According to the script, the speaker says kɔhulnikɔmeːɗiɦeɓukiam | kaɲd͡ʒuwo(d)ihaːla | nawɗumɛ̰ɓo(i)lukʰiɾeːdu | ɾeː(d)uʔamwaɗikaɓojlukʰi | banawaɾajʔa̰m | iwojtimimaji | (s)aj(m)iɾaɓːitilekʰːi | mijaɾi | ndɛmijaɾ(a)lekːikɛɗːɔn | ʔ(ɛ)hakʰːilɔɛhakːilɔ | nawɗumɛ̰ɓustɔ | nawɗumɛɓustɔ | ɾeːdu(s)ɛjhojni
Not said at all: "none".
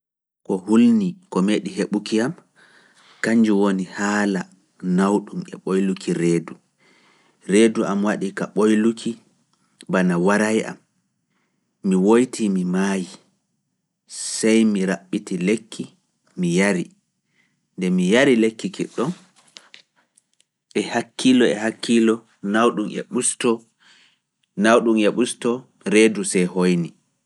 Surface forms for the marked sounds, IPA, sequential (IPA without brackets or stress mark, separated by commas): n, j, d, s, m, i, ɛ, s